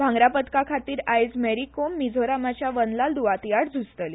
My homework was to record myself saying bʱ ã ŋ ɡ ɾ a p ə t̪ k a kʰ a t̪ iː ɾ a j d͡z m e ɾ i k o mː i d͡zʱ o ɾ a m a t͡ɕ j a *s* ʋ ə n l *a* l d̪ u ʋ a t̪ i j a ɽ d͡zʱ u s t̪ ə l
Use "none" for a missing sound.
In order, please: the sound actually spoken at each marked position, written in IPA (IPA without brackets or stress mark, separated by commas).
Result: none, a